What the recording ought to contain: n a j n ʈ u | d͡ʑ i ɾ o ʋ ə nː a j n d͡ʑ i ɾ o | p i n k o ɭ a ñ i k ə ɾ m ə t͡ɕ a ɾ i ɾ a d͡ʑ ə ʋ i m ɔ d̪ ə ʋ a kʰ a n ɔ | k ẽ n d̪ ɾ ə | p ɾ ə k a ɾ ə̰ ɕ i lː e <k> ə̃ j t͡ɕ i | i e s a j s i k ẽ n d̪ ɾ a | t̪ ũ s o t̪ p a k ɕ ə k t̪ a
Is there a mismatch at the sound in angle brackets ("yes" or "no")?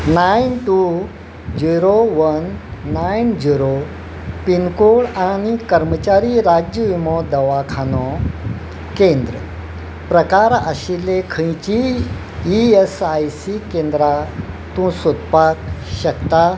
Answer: yes